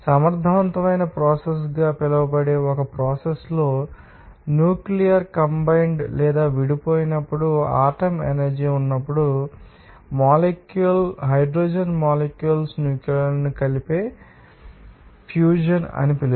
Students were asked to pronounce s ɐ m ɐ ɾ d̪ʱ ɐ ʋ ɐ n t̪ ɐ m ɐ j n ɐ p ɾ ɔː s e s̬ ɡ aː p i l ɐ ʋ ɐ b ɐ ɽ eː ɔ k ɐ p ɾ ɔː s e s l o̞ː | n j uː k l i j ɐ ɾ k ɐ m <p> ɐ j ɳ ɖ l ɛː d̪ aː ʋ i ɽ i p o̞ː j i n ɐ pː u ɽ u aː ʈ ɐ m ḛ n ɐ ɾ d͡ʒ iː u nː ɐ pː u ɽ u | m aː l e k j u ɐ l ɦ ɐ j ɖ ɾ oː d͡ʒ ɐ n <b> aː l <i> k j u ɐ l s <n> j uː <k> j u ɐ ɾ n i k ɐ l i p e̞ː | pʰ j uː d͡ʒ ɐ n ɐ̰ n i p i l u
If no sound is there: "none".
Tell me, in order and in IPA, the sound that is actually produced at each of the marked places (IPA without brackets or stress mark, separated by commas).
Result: b, m, e, n, k